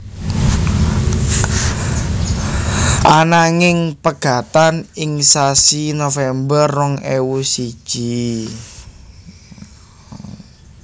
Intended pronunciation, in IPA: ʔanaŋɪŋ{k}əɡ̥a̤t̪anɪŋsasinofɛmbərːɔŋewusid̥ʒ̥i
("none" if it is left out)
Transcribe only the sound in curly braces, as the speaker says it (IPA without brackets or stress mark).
p